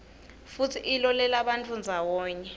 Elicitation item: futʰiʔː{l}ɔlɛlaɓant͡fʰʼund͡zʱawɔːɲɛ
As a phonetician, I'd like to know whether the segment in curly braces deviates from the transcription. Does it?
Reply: no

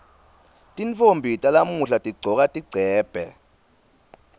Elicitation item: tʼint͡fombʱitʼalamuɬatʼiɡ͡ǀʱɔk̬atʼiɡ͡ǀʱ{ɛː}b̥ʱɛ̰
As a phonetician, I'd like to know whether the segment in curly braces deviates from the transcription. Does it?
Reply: no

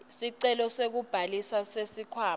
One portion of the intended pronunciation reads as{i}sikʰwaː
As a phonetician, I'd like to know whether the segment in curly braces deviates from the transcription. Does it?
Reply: yes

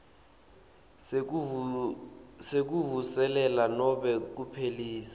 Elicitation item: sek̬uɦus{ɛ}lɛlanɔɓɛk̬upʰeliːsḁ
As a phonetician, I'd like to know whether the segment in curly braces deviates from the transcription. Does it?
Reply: no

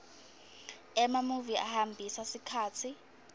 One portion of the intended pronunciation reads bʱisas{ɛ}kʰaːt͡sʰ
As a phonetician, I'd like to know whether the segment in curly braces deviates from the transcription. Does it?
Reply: yes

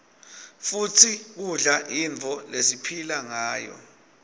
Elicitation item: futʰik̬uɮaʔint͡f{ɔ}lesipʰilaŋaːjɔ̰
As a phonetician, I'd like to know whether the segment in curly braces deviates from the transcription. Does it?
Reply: no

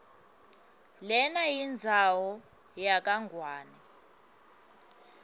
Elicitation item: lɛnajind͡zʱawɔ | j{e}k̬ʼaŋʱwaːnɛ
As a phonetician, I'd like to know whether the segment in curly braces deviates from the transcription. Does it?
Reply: yes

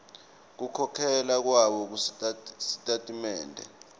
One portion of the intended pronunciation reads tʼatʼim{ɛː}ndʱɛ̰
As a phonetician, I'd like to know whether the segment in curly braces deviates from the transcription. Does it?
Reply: no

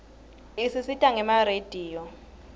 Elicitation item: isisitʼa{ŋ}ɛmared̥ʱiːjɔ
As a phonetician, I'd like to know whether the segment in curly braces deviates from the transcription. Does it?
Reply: no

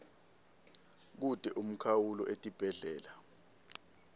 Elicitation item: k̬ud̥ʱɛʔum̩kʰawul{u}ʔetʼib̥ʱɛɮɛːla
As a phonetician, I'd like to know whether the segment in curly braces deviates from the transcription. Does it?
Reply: yes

